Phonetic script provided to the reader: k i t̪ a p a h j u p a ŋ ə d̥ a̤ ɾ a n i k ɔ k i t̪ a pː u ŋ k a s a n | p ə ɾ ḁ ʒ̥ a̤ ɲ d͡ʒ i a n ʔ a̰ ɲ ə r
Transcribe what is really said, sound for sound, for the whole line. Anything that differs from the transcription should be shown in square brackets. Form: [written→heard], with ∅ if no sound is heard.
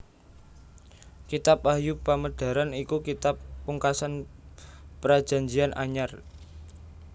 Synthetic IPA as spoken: k i t̪ a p a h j u p a [ŋ→m] ə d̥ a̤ ɾ a n i k [ɔ→u] k i t̪ a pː u ŋ k a s a n | p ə ɾ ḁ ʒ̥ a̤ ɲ d͡ʒ i a n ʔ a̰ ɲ [ə→a] r